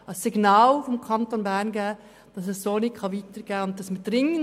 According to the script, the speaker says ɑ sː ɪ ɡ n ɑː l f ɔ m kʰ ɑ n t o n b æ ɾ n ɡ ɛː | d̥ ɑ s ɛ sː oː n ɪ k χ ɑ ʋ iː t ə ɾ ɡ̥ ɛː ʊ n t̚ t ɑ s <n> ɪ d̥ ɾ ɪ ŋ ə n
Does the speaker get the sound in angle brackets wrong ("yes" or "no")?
yes